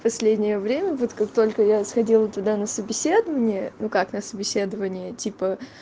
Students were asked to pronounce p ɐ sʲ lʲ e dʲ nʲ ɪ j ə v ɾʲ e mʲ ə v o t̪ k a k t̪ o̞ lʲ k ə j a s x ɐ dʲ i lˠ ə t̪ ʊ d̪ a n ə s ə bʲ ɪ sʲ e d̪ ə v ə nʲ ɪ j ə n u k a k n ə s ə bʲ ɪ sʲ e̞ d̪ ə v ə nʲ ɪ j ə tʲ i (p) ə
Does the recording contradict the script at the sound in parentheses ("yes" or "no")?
no